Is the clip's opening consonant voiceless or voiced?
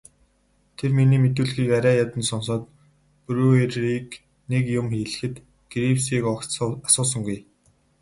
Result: voiceless